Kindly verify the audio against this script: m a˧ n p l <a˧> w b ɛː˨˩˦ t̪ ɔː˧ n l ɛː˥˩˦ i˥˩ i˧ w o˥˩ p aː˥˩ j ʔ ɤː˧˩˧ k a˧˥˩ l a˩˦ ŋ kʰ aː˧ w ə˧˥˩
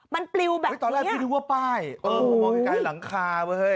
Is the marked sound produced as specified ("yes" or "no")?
no